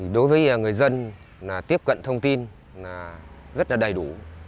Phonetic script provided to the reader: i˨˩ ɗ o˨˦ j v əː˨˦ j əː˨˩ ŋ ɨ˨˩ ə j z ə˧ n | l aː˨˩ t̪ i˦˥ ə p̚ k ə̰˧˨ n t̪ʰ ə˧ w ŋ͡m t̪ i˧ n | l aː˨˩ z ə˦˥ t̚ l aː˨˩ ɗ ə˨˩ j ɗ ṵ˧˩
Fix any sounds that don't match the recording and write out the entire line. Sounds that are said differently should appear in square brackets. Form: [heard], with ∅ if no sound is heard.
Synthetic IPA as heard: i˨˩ ɗ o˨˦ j v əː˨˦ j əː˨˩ ŋ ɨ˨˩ ə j z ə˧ n | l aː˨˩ t̪ i˦˥ ə p̚ k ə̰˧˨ n t̪ʰ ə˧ w ŋ͡m t̪ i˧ n | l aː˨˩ z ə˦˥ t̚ l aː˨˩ ɗ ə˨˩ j ɗ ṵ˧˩